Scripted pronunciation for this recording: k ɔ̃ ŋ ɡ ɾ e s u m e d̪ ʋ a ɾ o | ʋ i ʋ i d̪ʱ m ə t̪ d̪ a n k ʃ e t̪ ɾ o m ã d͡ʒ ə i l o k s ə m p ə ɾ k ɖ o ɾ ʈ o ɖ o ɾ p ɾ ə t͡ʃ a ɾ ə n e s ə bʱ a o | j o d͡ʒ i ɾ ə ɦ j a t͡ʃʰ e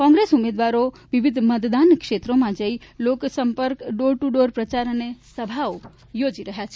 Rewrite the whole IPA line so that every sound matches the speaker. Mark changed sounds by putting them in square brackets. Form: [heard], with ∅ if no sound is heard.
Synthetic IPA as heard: k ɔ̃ ŋ ɡ ɾ e s u m e d̪ ʋ a ɾ o | ʋ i ʋ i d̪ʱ m ə t̪ d̪ a n k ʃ e t̪ ɾ o m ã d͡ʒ ə i l o k s ə m p ə ɾ k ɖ o ɾ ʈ [u] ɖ o ɾ p ɾ ə t͡ʃ a ɾ ə n e s ə bʱ a o | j o d͡ʒ i ɾ ə ɦ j a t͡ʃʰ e

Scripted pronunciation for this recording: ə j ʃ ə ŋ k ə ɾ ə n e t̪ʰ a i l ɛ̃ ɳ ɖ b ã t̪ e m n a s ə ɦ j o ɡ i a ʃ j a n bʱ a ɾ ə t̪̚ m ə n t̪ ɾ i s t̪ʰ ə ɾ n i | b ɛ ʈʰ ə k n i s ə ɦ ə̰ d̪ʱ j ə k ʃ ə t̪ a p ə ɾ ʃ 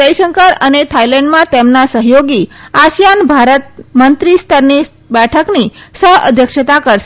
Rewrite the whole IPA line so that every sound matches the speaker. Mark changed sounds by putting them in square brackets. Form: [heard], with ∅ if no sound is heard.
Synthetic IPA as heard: ə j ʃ ə ŋ k ə ɾ ə n e t̪ʰ a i l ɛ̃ ɳ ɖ [m] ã t̪ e m n a s ə ɦ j o ɡ i a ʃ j a n bʱ a ɾ ə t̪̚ m ə n t̪ ɾ i s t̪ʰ ə ɾ n i | b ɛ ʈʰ ə k n i s ə ɦ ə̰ d̪ʱ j ə k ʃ ə t̪ a [k] ə ɾ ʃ

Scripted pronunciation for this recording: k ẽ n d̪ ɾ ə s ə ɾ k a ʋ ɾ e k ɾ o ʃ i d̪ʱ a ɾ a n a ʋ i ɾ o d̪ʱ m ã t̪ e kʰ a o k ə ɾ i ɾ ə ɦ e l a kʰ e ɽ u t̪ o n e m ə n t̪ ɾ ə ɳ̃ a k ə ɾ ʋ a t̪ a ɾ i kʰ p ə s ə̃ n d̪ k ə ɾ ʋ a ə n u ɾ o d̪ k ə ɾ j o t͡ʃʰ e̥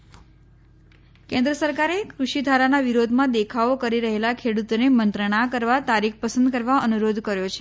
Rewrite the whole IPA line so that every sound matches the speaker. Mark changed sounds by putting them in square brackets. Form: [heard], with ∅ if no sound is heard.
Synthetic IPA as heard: k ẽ n d̪ ɾ ə s ə ɾ k a [∅] ɾ e k ɾ [u] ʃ i d̪ʱ a ɾ a n a ʋ i ɾ o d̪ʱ m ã [d̪] e kʰ a o k ə ɾ i ɾ ə ɦ e l a kʰ e ɽ u t̪ o n e m ə n t̪ ɾ ə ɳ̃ a k ə ɾ ʋ a t̪ a ɾ i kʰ p ə s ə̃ n d̪ k ə ɾ ʋ a ə n u ɾ o d̪ k ə ɾ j o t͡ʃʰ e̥

